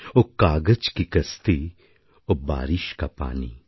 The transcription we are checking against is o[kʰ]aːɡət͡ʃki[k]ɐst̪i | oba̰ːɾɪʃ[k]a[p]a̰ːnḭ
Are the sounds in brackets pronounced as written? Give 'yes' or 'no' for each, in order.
no, yes, yes, yes

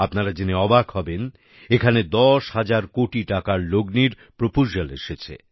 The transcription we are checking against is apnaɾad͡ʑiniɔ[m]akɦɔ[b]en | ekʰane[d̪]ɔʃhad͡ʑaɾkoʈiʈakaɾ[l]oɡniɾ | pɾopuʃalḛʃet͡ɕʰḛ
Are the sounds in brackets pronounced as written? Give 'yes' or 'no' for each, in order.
no, yes, yes, yes

